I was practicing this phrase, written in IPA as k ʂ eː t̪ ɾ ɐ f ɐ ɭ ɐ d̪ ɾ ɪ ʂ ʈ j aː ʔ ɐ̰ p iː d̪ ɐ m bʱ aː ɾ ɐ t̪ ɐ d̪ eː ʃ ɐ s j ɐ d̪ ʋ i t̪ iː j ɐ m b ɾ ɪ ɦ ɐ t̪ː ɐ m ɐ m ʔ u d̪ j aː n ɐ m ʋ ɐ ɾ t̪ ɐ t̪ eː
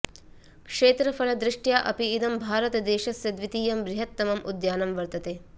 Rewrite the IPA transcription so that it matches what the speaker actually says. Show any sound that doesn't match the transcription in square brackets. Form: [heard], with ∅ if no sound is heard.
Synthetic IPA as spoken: k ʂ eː t̪ ɾ ɐ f ɐ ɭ ɐ d̪ ɾ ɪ ʂ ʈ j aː ʔ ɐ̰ p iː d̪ ɐ m bʱ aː ɾ ɐ t̪ ɐ d̪ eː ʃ ɐ s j ɐ d̪ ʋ i t̪ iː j ɐ m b ɾ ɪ ɦ ɐ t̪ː ɐ m ɐ m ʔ u d̪ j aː n ɐ m ʋ ɐ ɾ t̪ ɐ t̪ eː

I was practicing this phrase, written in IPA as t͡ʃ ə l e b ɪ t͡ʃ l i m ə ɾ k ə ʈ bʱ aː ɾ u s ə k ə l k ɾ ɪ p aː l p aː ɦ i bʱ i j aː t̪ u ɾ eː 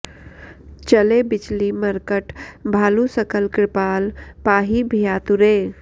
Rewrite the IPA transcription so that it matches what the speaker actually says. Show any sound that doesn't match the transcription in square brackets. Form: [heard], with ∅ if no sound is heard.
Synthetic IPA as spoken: t͡ʃ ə l e b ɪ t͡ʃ l i m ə ɾ k ə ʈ bʱ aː [l] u s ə k ə l k ɾ ɪ p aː l p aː ɦ i bʱ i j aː t̪ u ɾ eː

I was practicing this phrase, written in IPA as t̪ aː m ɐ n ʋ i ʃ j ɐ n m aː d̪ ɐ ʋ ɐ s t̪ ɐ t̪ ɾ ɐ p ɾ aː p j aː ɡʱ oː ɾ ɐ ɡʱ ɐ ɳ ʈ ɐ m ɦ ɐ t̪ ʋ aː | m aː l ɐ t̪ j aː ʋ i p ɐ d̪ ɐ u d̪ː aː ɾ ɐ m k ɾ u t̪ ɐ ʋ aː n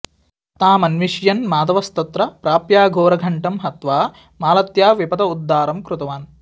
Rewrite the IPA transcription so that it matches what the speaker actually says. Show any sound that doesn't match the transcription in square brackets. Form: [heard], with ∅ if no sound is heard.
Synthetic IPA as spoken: t̪ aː m ɐ n ʋ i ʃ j ɐ n m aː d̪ ɐ ʋ ɐ s t̪ ɐ t̪ ɾ ɐ p ɾ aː p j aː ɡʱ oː ɾ ɐ ɡʱ ɐ ɳ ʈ ɐ m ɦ ɐ t̪ ʋ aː | m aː l ɐ t̪ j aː ʋ i p ɐ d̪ ɐ u d̪ː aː ɾ ɐ m k ɾ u t̪ ɐ ʋ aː n

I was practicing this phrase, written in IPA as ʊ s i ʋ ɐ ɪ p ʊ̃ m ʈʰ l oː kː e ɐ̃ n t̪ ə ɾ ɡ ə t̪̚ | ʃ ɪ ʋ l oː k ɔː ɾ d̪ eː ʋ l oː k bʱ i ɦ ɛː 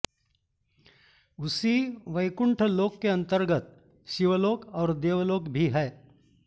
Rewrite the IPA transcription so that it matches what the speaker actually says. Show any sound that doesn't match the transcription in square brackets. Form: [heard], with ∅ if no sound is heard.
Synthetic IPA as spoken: ʊ s i ʋ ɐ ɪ [k] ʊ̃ [ɳ] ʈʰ l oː kː e ɐ̃ n t̪ ə ɾ ɡ ə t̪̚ | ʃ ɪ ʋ l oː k ɔː ɾ d̪ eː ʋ l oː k bʱ i ɦ ɛː

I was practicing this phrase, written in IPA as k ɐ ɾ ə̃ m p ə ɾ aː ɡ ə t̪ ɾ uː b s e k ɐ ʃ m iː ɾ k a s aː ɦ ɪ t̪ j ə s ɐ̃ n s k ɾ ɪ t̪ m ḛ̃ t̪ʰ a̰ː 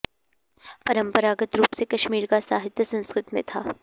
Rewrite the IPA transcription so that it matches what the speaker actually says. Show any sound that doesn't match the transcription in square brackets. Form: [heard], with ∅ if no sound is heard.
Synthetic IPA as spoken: [p] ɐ ɾ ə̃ m p ə ɾ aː ɡ ə t̪ ɾ uː [p] s e k ɐ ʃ m iː ɾ k a s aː ɦ ɪ t̪ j ə s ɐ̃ n s k ɾ ɪ t̪ m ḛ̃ t̪ʰ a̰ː

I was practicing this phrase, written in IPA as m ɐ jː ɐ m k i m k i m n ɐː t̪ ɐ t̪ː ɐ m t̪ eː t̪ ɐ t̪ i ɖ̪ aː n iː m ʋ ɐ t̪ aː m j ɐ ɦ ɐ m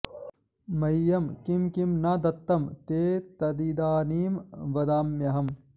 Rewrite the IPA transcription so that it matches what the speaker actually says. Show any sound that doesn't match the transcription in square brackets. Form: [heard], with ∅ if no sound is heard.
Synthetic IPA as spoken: m ɐ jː ɐ m k i m k i m n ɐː [d̪] ɐ t̪ː ɐ m t̪ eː t̪ ɐ [d̪] i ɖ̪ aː n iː m ʋ ɐ [d̪] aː m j ɐ ɦ ɐ m

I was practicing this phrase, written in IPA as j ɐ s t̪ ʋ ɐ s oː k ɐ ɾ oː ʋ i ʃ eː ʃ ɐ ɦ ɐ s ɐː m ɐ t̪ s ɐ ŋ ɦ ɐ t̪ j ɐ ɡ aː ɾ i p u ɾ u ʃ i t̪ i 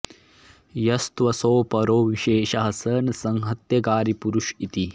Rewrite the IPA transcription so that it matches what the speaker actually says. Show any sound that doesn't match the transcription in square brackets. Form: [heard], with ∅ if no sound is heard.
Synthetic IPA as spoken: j ɐ s t̪ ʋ ɐ s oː [p] ɐ ɾ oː ʋ i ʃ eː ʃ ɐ ɦ ɐ s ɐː [n] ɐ [∅] s ɐ ŋ ɦ ɐ t̪ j ɐ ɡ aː ɾ i p u ɾ u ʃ i t̪ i

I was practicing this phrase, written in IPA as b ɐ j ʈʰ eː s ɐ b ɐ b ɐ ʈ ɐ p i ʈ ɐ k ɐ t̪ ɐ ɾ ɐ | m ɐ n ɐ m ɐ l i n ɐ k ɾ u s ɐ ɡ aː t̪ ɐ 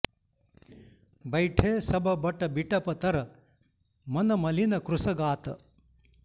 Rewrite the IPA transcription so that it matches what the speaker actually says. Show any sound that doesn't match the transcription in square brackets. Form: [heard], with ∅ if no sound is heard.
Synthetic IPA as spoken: b ɐ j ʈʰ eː s ɐ b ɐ b ɐ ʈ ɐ [b] i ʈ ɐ [p] ɐ t̪ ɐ ɾ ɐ | m ɐ n ɐ m ɐ l i n ɐ k ɾ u s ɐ ɡ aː t̪ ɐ

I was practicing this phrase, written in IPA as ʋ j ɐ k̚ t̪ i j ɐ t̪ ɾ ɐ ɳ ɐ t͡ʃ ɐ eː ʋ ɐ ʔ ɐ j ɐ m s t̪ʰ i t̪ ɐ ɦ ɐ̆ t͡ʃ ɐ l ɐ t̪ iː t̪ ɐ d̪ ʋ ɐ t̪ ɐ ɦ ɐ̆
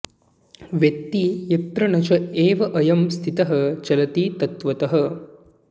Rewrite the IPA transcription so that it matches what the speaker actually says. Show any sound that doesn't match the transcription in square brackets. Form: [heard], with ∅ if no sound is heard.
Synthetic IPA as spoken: ʋ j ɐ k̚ t̪ i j ɐ t̪ ɾ ɐ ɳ ɐ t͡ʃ ɐ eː ʋ ɐ ʔ ɐ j ɐ m s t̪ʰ i t̪ ɐ ɦ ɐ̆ t͡ʃ ɐ l ɐ t̪ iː t̪ ɐ [t̪] ʋ ɐ t̪ ɐ ɦ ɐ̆

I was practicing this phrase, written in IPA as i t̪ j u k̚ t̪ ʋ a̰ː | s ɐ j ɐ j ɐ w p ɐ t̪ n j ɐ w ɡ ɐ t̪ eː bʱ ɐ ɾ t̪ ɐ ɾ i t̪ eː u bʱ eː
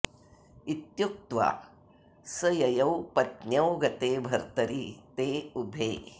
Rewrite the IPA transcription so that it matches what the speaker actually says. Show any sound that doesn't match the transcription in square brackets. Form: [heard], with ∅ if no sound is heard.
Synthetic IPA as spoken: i t̪ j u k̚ t̪ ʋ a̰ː | s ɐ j ɐ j ɐ w p ɐ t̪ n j ɐ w ɡ ɐ t̪ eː bʱ ɐ ɾ t̪ ɐ ɾ i t̪ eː u bʱ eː

